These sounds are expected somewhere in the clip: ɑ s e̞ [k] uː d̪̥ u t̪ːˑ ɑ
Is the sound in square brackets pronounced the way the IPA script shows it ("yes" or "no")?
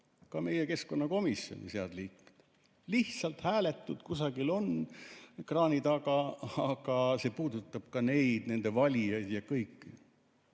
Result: no